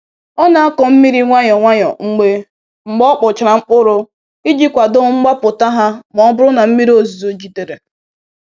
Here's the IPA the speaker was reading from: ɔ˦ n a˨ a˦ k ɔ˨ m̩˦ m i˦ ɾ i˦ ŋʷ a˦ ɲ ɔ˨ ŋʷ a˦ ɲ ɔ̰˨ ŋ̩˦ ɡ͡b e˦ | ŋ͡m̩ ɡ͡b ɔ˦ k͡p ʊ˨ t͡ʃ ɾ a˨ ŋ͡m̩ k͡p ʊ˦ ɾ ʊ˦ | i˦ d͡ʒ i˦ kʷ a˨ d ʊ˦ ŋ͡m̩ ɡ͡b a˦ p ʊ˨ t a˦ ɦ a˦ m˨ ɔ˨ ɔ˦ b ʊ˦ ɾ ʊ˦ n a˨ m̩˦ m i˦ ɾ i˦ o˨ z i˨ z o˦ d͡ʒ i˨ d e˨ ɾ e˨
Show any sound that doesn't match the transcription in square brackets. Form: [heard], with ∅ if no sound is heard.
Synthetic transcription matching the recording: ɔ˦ n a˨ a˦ k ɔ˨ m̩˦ m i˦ ɾ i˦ ŋʷ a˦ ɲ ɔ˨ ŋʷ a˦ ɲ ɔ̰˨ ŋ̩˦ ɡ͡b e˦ | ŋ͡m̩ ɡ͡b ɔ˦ k͡p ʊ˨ t͡ʃ ɾ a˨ ŋ͡m̩ k͡p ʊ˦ ɾ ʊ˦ | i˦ d͡ʒ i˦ kʷ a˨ d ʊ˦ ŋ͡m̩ ɡ͡b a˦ p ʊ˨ t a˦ ɦ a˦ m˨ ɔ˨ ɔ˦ b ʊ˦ ɾ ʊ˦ n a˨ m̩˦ m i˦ ɾ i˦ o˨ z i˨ z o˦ d͡ʒ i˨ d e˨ ɾ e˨